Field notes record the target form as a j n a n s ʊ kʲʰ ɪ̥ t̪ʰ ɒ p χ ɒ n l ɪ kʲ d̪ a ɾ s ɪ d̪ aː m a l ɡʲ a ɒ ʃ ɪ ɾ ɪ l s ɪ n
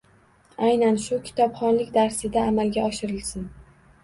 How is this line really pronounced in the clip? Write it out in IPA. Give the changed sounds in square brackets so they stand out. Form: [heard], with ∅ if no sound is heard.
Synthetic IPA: a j n a n [ʃ] ʊ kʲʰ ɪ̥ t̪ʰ ɒ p χ ɒ n l ɪ kʲ d̪ a ɾ s ɪ d̪ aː m a l ɡʲ a ɒ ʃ ɪ ɾ ɪ l s ɪ n